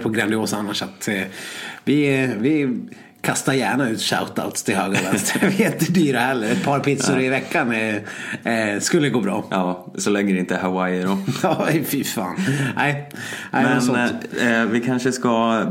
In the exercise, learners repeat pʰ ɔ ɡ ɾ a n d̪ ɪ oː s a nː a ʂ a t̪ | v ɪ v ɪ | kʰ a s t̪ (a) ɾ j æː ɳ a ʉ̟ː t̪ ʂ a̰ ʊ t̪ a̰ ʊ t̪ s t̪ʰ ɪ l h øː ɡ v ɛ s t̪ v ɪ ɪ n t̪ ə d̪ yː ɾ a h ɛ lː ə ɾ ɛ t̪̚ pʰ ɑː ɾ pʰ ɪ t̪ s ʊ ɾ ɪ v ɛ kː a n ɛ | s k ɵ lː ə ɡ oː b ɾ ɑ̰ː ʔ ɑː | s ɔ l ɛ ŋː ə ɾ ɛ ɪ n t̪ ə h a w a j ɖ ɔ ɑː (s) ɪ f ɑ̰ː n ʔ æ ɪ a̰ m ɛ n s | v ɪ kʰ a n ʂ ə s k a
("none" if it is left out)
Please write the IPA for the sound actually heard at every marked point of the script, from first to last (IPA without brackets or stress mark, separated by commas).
a, f